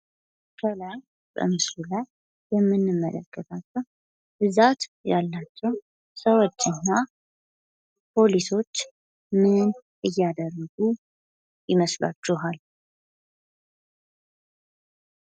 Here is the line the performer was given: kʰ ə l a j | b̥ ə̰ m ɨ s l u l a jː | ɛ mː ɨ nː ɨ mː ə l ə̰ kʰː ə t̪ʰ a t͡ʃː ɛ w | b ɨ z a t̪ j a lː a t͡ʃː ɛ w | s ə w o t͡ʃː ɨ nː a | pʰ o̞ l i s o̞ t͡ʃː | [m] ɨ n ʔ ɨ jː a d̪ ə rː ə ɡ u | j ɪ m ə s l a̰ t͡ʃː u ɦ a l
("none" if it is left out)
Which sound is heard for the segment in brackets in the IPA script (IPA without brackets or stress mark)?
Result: m